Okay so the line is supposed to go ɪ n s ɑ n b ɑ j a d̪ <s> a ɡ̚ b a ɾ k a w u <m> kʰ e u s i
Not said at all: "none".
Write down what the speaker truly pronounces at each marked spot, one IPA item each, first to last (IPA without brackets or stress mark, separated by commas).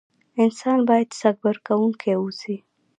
s, ŋ